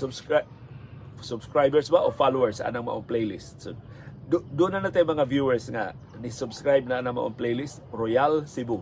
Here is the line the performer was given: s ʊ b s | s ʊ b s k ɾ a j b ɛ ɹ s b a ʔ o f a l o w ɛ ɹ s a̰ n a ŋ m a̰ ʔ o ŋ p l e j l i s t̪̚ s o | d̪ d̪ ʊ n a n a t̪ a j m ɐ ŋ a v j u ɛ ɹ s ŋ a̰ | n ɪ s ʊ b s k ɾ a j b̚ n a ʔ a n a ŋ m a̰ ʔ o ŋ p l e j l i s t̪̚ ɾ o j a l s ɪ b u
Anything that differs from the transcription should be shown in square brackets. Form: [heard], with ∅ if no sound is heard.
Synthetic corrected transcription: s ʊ b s | s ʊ b s k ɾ a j b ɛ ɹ s b a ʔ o f a l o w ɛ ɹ s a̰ n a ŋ m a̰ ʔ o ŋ p l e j l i s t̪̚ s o | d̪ d̪ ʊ n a n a t̪ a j m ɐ ŋ a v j u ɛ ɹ s ŋ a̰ | n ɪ s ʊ b s k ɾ a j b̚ n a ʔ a n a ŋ m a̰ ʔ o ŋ p l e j l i s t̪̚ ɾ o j a l s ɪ b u